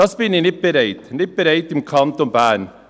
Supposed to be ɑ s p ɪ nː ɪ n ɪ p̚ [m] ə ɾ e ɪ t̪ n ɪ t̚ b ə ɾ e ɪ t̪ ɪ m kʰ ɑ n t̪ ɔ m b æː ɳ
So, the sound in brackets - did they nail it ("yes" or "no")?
no